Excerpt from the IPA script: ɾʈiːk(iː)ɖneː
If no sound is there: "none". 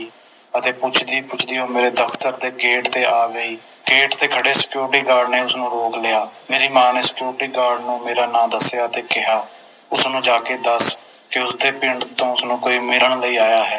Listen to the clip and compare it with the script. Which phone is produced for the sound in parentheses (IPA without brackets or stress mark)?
aː